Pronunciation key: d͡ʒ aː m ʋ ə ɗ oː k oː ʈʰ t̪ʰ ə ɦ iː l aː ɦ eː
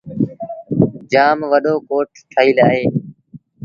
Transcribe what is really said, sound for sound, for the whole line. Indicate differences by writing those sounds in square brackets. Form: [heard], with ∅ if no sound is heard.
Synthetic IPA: d͡ʒ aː m ʋ ə ɗ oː k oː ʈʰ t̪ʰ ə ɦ iː l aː ɦ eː